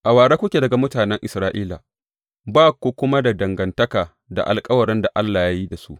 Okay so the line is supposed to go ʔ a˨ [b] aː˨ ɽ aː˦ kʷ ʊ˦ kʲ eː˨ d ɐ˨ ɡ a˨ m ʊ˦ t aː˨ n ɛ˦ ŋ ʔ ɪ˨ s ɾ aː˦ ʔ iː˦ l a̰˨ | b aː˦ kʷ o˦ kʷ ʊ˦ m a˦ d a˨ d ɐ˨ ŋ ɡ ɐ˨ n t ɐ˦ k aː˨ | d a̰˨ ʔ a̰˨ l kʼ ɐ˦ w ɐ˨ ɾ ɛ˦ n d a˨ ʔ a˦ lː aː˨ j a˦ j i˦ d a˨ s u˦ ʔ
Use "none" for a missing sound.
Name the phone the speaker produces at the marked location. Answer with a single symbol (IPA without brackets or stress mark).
w